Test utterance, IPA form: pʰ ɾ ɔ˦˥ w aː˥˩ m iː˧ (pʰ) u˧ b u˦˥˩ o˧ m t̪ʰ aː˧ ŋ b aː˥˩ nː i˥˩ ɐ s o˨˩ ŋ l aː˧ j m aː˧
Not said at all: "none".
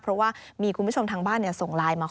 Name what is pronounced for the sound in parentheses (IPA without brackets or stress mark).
kʰ